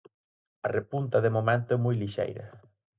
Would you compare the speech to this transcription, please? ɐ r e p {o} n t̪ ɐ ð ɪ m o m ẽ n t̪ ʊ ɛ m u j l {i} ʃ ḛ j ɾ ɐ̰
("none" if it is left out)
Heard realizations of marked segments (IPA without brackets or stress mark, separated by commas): u, i